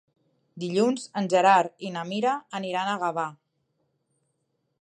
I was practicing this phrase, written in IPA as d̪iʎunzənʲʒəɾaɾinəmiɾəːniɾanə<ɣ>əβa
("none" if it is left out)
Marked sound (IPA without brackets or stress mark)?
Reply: ɣ